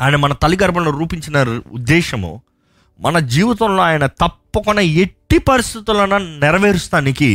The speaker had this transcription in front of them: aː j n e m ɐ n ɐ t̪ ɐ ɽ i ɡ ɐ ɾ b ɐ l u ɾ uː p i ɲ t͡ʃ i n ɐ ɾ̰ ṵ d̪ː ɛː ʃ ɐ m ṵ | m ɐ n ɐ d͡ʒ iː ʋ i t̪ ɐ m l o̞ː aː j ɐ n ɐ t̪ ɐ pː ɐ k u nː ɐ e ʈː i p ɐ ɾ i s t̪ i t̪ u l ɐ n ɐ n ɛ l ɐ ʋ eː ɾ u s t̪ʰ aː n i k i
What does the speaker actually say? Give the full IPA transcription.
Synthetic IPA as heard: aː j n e m ɐ n ɐ t̪ ɐ l i ɡ ɐ ɾ b ɐ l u ɾ uː p i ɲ t͡ʃ i n ɐ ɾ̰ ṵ d̪ː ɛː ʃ ɐ m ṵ | m ɐ n ɐ d͡ʒ iː ʋ i t̪ ɐ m l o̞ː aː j ɐ n ɐ t̪ ɐ pː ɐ k u nː ɐ e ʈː i p ɐ ɾ i s t̪ i t̪ u l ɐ n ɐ n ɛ ɾ ɐ ʋ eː ɾ u s t̪ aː n i k i